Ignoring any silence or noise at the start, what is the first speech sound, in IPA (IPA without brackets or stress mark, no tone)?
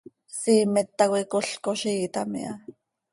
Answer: s